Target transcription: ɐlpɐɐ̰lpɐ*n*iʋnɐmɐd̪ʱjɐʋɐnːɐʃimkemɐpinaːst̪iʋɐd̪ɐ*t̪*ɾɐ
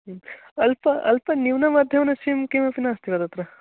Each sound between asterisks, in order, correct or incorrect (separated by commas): correct, correct